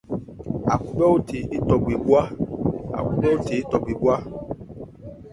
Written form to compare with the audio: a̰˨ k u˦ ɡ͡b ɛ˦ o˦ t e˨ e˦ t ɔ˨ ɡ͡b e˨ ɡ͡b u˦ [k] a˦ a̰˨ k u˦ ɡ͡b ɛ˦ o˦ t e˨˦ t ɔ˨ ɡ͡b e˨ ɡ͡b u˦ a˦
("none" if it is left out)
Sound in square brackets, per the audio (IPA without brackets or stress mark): none